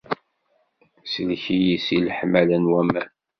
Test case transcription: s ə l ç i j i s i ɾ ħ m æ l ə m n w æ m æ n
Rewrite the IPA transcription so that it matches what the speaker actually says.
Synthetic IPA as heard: s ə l ç i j i s i l ħ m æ l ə n w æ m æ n

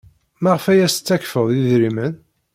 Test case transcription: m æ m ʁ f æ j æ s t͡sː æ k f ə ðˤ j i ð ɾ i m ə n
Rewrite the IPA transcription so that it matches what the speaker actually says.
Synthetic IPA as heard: m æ ʁ f æ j æ s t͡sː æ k f ə ðˤ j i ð ɾ i m ə n

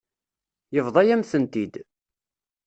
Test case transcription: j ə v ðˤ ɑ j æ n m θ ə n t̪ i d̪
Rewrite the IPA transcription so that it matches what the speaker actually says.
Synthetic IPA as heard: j ə v ðˤ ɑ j æ m θ ə n t̪ i d̪

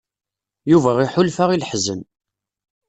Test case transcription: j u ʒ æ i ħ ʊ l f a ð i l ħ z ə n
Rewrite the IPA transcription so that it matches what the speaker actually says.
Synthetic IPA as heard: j u v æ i ħ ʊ l f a ʁ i l ħ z ə n

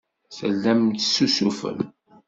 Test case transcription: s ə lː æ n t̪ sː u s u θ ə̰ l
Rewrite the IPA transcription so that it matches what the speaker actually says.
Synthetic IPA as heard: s ə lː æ m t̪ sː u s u f ə̰ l

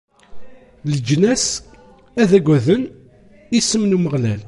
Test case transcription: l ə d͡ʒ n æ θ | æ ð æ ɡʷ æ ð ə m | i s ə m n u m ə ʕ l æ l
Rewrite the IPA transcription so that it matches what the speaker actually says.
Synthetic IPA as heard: l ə d͡ʒ n æ s | æ ð æ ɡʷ æ ð ə n | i s ə m n u m ə ʁ l æ l

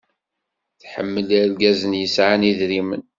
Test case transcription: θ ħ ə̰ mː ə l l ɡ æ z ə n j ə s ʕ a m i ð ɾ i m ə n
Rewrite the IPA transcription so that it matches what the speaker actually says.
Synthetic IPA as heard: θ ħ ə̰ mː ə l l ɡ æ z ə n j ə s ʕ a n i ð ɾ i m ə n

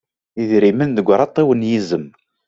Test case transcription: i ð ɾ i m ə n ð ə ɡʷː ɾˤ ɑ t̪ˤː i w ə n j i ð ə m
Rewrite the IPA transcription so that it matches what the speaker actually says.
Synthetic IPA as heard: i ð ɾ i m ə n ð ə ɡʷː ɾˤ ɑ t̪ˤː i w ə n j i z ə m

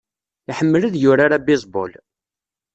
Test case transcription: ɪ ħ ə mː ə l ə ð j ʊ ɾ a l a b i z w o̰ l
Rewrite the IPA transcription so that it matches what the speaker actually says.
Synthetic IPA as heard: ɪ ħ ə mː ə l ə ð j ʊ ɾ a ɾ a b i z b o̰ l

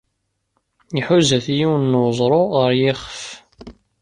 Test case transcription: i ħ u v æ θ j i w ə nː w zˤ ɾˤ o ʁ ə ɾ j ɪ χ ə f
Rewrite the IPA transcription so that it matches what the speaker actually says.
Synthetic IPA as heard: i ħ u z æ θ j i w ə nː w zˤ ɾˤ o ʁ ə ɾ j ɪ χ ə f

